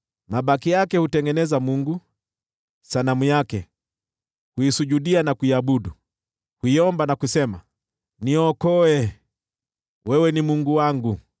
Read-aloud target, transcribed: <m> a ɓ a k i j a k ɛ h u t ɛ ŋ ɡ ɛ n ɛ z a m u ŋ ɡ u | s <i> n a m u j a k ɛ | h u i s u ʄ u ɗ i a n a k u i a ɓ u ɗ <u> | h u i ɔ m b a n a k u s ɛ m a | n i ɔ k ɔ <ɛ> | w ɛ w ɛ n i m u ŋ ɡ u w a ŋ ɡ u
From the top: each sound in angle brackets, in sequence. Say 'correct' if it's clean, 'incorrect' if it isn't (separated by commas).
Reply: correct, incorrect, correct, correct